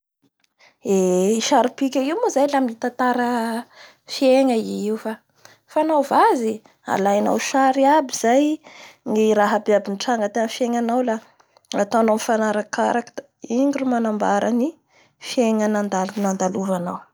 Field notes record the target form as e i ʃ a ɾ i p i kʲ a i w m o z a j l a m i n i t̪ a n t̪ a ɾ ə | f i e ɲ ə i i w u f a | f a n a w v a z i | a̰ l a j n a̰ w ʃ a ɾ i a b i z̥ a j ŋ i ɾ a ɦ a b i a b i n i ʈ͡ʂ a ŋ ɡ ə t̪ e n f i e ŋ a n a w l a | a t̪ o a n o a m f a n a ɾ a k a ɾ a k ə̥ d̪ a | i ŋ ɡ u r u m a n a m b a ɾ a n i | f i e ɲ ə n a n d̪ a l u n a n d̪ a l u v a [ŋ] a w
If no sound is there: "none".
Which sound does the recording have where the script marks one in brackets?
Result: n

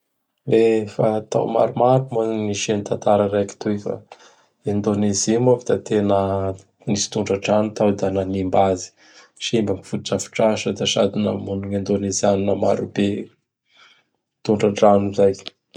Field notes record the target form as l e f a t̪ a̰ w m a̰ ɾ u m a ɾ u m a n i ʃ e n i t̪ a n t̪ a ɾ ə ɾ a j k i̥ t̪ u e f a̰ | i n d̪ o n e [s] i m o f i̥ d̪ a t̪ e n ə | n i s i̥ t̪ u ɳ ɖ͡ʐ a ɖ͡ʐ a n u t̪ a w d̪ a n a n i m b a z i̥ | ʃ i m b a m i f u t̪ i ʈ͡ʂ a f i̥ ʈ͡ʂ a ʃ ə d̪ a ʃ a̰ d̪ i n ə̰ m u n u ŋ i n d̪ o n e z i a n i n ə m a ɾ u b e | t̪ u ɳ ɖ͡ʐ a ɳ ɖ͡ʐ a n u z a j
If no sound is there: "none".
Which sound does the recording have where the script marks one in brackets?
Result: z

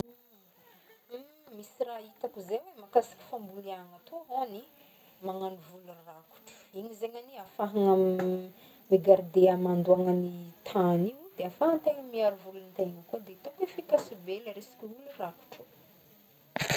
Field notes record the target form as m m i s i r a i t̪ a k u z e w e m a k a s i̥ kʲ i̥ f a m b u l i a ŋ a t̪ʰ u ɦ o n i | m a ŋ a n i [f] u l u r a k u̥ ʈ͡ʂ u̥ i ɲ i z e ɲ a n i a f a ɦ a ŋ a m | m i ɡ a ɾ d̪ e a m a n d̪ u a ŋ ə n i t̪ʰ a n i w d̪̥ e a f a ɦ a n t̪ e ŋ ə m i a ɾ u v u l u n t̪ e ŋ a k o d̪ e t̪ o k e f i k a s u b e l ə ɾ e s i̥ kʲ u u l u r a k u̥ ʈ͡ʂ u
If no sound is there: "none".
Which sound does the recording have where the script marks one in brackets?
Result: v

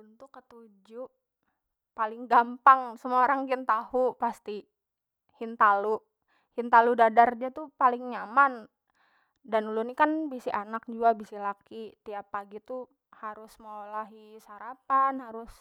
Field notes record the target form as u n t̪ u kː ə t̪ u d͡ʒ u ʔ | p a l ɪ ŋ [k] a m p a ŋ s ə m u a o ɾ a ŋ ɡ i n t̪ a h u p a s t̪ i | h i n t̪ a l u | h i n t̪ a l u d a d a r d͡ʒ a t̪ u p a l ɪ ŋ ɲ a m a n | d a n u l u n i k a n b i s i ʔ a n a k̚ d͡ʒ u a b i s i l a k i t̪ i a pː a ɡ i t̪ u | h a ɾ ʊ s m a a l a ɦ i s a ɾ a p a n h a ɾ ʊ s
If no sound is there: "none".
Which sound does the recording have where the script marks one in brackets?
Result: ɡ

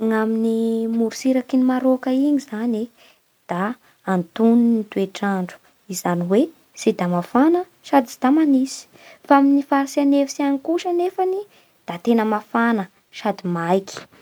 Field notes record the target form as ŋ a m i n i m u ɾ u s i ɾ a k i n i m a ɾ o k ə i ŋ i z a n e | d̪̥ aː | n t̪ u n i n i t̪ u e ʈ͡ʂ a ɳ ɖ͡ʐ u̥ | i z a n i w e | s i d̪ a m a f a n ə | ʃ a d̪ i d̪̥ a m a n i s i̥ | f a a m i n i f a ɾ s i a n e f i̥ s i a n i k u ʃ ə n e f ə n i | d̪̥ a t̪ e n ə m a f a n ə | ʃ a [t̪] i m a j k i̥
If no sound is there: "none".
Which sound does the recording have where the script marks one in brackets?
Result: d̪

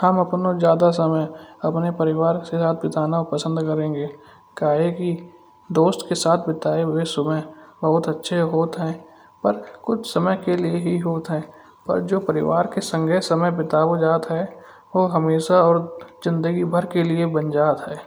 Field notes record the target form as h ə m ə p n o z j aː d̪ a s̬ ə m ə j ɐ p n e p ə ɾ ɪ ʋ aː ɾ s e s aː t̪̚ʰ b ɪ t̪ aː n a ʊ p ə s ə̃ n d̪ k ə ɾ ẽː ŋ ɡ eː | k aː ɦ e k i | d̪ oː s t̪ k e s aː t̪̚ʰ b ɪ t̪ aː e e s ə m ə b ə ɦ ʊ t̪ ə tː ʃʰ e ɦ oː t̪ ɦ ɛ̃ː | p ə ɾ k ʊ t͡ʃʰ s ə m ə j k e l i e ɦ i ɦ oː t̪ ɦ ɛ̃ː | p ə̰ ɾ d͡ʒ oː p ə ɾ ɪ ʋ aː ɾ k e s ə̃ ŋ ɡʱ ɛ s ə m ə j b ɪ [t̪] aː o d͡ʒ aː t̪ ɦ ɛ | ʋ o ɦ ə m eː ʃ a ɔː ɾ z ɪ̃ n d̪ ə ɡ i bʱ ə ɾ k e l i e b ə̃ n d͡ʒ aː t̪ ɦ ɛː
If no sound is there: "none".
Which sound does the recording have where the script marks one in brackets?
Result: t̪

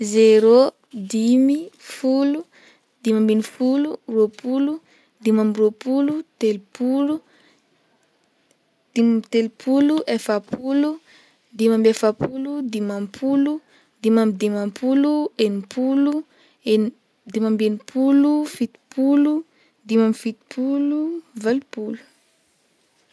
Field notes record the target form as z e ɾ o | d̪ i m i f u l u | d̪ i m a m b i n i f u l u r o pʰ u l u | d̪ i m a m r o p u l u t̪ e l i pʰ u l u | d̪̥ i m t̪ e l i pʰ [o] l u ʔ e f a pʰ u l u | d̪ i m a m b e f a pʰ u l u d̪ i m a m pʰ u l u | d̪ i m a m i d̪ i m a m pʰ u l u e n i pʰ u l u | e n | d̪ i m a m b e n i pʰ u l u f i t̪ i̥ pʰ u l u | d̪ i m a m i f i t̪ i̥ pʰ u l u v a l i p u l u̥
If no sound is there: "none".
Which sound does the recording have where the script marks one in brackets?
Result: u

